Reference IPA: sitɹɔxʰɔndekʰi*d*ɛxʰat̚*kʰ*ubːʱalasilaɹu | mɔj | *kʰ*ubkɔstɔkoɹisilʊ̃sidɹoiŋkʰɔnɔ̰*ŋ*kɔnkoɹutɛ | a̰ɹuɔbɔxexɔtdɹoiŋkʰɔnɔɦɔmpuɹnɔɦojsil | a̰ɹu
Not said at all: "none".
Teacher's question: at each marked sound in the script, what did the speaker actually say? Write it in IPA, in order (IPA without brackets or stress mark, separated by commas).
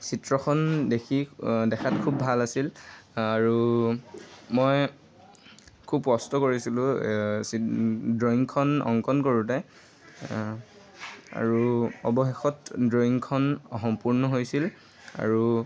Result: d, kʰ, kʰ, ŋ